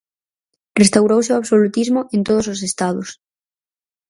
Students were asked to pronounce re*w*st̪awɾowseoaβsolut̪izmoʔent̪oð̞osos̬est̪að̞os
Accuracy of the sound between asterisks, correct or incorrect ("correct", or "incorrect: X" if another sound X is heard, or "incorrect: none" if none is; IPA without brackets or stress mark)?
incorrect: none